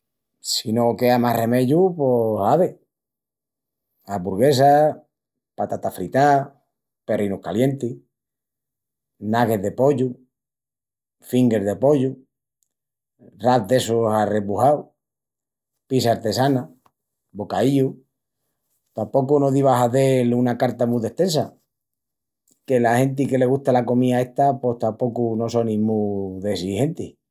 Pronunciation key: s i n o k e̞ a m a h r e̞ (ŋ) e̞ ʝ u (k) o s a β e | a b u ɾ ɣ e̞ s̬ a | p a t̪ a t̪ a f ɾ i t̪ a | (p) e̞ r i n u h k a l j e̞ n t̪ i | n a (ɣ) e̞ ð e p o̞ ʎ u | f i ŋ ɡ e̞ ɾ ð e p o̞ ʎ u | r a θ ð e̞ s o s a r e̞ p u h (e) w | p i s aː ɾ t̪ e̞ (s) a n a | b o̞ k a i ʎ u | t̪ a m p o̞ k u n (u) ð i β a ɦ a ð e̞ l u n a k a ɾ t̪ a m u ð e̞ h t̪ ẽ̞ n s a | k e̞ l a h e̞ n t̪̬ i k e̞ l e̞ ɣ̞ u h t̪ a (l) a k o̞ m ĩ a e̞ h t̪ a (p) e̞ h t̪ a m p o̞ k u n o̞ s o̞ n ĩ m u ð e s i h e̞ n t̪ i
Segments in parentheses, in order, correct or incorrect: incorrect, incorrect, correct, correct, incorrect, correct, incorrect, correct, correct

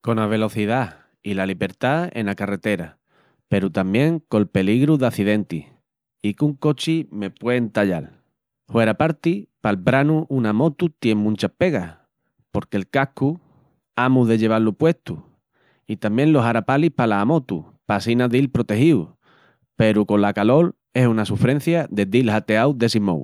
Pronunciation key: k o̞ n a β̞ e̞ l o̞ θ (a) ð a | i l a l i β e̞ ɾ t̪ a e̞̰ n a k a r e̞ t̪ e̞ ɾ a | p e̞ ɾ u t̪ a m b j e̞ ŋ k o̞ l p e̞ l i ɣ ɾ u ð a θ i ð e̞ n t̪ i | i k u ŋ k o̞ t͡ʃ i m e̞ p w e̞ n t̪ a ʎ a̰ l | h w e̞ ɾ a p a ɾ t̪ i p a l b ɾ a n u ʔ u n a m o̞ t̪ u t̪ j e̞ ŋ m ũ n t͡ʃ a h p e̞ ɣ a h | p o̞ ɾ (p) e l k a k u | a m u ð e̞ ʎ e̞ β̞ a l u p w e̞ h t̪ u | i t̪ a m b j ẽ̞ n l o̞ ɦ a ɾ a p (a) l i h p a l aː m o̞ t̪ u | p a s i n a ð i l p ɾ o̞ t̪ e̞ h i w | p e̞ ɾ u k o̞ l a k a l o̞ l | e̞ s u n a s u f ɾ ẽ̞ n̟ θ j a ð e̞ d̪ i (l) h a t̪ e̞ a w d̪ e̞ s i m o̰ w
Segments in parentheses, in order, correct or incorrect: incorrect, incorrect, correct, correct

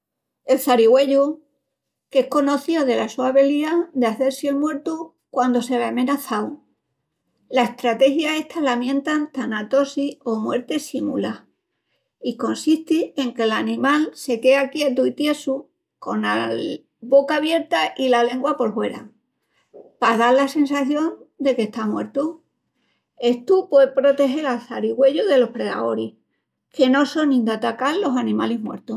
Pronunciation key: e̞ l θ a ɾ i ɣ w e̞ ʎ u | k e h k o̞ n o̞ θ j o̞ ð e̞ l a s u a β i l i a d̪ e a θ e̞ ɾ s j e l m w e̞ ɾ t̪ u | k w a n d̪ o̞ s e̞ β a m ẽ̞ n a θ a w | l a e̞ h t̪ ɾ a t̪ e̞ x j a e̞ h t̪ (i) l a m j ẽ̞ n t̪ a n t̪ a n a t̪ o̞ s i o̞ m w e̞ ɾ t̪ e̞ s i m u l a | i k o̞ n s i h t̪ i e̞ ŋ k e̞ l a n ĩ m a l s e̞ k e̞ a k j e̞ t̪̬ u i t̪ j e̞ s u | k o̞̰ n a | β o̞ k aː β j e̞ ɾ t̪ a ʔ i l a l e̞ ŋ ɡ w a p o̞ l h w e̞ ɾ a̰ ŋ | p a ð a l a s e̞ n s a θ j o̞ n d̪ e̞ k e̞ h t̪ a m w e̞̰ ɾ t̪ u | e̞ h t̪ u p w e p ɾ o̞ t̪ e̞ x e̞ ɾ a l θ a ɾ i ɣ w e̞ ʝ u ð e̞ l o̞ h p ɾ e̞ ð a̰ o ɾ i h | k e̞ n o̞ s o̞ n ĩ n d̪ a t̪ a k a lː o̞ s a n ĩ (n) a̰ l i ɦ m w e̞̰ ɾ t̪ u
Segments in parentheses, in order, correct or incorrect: incorrect, incorrect

